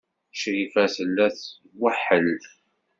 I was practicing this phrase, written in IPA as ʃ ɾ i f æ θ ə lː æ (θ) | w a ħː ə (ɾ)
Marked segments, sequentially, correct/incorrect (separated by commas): correct, incorrect